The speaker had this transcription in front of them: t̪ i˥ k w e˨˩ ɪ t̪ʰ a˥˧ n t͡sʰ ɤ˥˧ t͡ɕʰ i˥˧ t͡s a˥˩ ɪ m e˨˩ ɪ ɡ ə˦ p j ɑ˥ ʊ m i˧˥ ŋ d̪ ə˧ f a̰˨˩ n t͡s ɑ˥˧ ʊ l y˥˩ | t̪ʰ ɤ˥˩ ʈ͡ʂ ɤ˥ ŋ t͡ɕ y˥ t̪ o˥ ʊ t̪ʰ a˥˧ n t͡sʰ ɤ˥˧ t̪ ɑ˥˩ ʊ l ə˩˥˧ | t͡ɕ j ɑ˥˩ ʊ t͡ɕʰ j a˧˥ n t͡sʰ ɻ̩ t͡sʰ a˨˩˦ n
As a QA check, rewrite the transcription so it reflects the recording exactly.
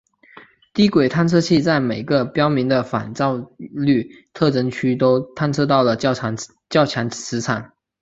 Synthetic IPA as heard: t̪ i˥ k w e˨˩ ɪ t̪ʰ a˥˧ n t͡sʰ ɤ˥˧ t͡ɕʰ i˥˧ t͡s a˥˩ ɪ m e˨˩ ɪ ɡ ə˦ p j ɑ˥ ʊ m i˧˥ ŋ d̪ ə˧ f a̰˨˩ n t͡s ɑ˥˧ ʊ l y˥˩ | t̪ʰ ɤ˥˩ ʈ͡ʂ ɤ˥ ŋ t͡ɕʰ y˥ t̪ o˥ ʊ t̪ʰ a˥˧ n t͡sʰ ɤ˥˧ t̪ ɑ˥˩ ʊ l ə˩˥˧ | t͡ɕ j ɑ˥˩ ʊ t͡ɕʰ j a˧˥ n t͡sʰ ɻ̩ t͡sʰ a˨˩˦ n

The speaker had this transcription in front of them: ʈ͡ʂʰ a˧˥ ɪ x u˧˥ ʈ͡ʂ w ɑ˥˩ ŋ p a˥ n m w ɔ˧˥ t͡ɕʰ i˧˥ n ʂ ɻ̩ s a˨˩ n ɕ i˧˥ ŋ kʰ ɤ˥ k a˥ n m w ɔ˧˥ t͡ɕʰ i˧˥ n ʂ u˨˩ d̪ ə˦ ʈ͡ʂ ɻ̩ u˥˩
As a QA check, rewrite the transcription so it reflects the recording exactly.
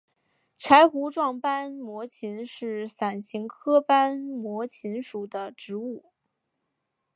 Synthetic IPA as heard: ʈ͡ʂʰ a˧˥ ɪ x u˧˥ ʈ͡ʂ w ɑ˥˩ ŋ p a˥ n m w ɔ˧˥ t͡ɕʰ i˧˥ n ʂ ɻ̩ s a˨˩ n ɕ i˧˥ ŋ kʰ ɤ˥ p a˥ n m w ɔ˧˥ t͡ɕʰ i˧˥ n ʂ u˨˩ d̪ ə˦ ʈ͡ʂ ɻ̩ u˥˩

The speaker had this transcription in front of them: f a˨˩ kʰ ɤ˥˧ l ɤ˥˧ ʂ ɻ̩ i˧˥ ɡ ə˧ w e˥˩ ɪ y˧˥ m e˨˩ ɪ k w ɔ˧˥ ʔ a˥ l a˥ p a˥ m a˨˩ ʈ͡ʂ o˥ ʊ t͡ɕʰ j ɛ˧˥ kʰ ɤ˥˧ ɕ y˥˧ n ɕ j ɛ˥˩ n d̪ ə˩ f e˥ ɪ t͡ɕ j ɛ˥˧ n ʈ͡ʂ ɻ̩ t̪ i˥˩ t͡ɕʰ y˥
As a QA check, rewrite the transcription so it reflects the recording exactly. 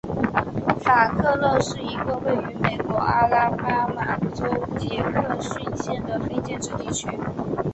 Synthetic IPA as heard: f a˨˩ kʰ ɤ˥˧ l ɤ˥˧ ʂ ɻ̩ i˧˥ ɡ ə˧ w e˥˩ ɪ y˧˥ m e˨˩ ɪ k w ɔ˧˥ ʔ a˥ l a˥ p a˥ m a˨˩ ʈ͡ʂ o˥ ʊ t͡ɕ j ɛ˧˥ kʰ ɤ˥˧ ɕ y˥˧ n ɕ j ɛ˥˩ n d̪ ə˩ f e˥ ɪ t͡ɕ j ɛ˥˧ n ʈ͡ʂ ɻ̩ t̪ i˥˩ t͡ɕʰ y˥

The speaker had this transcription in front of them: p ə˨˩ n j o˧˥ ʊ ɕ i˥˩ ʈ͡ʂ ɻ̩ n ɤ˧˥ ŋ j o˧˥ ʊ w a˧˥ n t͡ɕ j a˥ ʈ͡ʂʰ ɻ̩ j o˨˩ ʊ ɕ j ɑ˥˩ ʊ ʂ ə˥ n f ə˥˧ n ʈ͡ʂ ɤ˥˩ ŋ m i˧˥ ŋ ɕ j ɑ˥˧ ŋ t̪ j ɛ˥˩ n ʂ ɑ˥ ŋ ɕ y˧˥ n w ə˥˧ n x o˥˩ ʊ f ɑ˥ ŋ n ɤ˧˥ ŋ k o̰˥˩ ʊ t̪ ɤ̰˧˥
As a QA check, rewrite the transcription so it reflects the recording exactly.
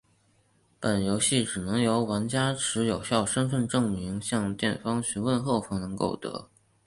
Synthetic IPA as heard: p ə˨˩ n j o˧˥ ʊ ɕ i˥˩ ʈ͡ʂ ɻ̩ n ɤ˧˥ ŋ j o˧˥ ʊ w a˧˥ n t͡ɕ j a˥ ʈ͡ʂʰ ɻ̩ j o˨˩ ʊ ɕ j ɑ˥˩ ʊ ʂ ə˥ n f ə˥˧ n ʈ͡ʂ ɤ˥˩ ŋ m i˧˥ ŋ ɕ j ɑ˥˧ ŋ t̪ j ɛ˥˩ n f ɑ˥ ŋ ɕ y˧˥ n w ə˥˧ n x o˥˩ ʊ f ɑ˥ ŋ n ɤ˧˥ ŋ k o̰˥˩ ʊ t̪ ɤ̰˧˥

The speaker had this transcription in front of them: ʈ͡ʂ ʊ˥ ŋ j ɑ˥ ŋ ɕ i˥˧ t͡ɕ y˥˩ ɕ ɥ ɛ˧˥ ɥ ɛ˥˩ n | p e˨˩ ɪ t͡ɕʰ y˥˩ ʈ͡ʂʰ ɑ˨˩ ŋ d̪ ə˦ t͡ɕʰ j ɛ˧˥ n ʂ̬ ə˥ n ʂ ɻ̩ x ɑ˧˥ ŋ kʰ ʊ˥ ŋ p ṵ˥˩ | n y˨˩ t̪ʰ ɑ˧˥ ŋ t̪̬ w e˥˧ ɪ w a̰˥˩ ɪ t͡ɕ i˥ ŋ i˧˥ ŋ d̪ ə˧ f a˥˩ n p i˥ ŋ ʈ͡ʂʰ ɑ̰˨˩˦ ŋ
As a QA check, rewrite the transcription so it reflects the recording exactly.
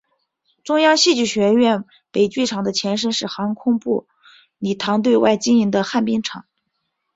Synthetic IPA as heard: ʈ͡ʂ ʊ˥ ŋ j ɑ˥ ŋ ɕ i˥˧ t͡ɕ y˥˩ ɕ ɥ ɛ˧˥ ɥ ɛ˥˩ n | p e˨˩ ɪ t͡ɕ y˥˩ ʈ͡ʂʰ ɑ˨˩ ŋ d̪ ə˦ t͡ɕʰ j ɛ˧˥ n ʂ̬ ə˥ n ʂ ɻ̩ x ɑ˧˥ ŋ kʰ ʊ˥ ŋ p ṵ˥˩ | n i˨˩ t̪ʰ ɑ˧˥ ŋ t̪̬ w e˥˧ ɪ w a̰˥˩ ɪ t͡ɕ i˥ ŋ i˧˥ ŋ d̪ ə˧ x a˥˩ n p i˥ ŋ ʈ͡ʂʰ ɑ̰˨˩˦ ŋ

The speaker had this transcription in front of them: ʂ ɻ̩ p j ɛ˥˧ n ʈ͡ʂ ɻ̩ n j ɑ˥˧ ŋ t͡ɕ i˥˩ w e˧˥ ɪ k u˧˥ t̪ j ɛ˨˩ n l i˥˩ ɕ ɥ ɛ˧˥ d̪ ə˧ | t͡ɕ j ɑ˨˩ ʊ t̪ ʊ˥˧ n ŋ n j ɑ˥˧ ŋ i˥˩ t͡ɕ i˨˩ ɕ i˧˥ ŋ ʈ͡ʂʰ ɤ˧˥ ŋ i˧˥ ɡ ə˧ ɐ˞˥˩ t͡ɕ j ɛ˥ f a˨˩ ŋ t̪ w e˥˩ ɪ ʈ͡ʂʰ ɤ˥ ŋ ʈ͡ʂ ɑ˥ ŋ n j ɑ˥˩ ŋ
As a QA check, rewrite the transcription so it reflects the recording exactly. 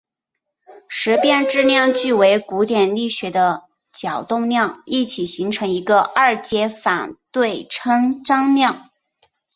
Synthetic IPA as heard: ʂ ɻ̩ p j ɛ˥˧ n ʈ͡ʂ ɻ̩ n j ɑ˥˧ ŋ t͡ɕ y˥˩ w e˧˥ ɪ k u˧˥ t̪ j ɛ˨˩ n l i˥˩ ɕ ɥ ɛ˧˥ d̪ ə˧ | t͡ɕ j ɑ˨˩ ʊ t̪ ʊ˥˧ ŋ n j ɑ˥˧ ŋ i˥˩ t͡ɕʰ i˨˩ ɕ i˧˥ ŋ ʈ͡ʂʰ ɤ˧˥ ŋ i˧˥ ɡ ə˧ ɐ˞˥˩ t͡ɕ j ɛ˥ f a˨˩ n t̪ w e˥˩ ɪ ʈ͡ʂʰ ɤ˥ ŋ ʈ͡ʂ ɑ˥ ŋ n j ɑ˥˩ ŋ

